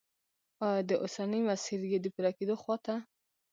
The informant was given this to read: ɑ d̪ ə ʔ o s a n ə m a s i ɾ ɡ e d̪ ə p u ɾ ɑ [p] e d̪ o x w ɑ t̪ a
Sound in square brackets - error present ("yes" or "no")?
yes